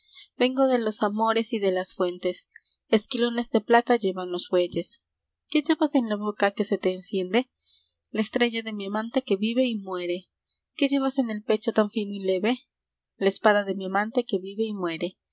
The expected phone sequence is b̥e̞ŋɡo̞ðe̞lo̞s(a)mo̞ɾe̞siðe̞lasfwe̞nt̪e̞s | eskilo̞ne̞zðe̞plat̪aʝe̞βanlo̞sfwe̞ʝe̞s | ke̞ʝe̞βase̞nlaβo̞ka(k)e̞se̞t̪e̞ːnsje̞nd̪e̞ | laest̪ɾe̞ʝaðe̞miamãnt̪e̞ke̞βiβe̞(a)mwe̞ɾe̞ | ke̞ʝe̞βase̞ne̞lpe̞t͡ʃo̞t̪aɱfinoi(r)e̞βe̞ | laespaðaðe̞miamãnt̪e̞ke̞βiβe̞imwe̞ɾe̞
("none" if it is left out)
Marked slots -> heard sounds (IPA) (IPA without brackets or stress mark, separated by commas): a, k, i, l